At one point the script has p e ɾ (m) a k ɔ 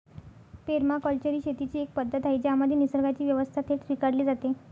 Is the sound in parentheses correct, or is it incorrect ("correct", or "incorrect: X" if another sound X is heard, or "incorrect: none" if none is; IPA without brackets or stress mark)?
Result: correct